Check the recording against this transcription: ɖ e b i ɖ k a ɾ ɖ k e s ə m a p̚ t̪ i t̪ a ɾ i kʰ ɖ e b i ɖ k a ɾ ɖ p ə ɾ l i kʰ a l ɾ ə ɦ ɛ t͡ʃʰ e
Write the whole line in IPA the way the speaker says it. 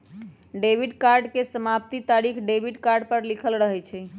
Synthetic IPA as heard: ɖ e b i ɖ k a ɾ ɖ k e s ə m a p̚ t̪ i t̪ a ɾ i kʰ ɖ e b i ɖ k a ɾ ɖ p ə ɾ l i kʰ ə l ɾ ə ɦ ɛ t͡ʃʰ ɛ